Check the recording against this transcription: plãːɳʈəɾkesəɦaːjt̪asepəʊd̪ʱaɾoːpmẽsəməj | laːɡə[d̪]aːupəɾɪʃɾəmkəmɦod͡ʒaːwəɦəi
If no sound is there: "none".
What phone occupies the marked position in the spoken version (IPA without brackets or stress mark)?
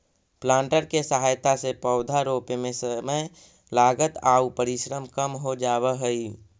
t̪